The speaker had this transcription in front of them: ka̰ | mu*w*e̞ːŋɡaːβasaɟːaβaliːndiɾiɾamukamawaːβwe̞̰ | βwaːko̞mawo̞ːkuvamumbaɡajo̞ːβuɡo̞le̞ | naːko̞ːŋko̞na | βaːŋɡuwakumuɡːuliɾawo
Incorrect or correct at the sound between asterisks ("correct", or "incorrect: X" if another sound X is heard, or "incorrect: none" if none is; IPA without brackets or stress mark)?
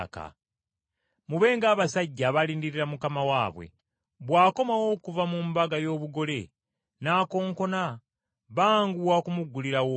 incorrect: β